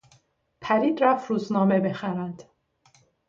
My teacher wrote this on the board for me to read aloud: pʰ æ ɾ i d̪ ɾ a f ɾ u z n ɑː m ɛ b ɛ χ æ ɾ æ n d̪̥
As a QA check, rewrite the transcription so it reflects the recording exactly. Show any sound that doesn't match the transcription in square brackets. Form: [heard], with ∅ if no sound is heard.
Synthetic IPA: pʰ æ ɾ i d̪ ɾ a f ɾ u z n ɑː m ɛ b ɛ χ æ ɾ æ n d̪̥